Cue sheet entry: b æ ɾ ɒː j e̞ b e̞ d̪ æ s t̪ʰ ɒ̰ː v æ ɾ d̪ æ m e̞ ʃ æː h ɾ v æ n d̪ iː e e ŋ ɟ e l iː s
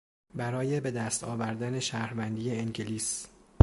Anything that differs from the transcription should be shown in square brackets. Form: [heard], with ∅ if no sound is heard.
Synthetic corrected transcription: b æ ɾ ɒː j e̞ b e̞ d̪ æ s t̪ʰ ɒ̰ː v æ ɾ d̪ æ [n] e̞ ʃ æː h ɾ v æ n d̪ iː e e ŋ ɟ e l iː s